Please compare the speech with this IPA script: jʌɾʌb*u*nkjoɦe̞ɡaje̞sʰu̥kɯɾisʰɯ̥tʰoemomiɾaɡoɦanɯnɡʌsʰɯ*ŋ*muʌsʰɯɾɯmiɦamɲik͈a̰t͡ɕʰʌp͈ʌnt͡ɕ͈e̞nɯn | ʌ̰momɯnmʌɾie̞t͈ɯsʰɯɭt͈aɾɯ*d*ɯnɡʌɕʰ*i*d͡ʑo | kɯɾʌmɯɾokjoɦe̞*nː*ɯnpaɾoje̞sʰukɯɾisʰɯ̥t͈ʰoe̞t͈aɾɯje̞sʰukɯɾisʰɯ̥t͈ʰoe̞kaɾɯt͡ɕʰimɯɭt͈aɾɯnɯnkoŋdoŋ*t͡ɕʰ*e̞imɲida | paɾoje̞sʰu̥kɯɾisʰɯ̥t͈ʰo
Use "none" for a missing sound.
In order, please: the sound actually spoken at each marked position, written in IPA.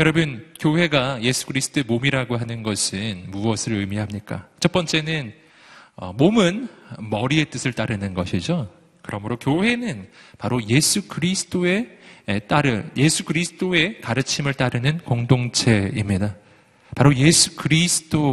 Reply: ɯ, n, n, i, n, t͡ɕʰ

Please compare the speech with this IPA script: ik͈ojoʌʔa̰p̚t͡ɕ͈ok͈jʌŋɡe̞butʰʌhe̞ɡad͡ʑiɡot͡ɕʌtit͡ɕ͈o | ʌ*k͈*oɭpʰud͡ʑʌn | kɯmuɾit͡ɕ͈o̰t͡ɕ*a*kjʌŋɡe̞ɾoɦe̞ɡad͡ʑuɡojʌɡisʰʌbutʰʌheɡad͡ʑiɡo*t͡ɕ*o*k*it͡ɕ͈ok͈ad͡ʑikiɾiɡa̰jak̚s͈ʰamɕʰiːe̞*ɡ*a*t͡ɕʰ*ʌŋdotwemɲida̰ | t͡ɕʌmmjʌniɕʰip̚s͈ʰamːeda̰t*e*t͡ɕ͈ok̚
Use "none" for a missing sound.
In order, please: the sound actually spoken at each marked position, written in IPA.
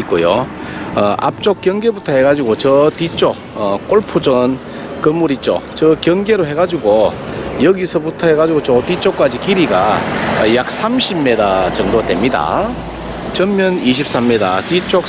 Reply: k͈, ʌ, t͡ɕ, t, d, t͡ɕ, i

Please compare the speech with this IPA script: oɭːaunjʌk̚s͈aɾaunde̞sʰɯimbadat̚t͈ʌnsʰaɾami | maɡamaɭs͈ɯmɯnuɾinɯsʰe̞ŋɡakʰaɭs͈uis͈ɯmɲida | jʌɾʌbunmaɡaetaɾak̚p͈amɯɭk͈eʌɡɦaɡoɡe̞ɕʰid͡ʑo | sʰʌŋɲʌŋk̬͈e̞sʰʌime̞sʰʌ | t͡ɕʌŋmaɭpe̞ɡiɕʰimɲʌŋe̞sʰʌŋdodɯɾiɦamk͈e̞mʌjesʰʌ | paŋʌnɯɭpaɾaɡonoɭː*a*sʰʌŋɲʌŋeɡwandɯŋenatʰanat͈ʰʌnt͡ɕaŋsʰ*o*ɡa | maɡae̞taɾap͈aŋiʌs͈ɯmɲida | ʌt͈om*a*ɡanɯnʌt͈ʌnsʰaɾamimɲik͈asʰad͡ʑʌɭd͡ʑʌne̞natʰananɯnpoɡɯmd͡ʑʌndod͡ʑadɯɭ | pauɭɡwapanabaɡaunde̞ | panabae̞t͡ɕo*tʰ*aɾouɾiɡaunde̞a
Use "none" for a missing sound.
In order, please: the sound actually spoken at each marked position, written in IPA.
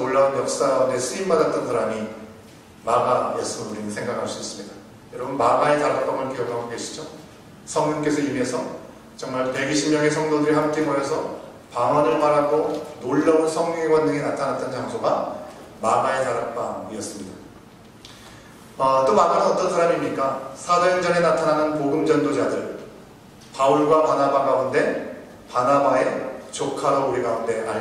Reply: ʌ, o, a, kʰ

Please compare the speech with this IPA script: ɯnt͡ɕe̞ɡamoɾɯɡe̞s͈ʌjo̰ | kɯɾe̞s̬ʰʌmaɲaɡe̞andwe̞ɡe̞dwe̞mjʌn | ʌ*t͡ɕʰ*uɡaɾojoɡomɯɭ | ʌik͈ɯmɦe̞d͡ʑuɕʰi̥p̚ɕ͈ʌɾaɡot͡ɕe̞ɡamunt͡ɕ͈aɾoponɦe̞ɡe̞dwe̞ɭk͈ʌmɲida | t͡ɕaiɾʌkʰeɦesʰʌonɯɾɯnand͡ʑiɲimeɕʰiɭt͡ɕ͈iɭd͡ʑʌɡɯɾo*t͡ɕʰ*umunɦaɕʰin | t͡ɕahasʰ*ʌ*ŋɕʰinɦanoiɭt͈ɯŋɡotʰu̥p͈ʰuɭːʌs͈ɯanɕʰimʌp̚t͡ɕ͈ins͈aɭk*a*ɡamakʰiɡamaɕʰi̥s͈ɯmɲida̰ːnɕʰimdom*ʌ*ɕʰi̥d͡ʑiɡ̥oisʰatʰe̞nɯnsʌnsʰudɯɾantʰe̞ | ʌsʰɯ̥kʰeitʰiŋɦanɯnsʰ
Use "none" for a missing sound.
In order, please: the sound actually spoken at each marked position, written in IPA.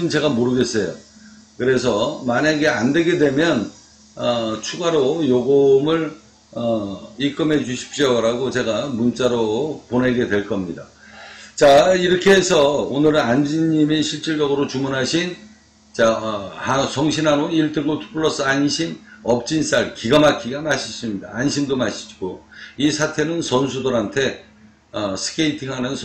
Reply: t͡ɕʰ, t͡ɕ, ʌ, i, a

